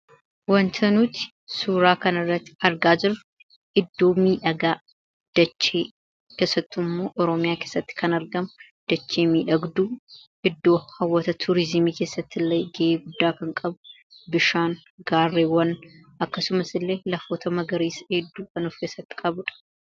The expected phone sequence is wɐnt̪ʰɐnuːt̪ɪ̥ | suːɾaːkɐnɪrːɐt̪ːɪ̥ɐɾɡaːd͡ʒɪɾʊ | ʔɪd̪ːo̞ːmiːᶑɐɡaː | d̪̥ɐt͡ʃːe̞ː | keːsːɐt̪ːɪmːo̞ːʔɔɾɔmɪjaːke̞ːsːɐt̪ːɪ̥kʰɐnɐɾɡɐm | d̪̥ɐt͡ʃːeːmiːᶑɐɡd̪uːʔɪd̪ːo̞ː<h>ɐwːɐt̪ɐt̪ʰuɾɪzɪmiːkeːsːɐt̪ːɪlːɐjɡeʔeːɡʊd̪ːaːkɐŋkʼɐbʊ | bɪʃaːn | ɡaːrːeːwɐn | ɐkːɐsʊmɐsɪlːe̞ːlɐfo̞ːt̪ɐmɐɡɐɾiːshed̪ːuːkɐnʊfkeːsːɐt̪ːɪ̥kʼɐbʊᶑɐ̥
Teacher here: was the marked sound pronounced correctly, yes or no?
yes